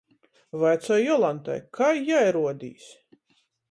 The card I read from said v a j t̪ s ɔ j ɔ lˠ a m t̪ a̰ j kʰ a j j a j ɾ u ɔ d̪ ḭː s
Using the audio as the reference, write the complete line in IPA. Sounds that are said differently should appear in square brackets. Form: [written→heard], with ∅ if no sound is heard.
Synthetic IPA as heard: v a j t̪ s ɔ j ɔ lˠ a [m→n] t̪ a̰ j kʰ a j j a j ɾ u ɔ d̪ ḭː s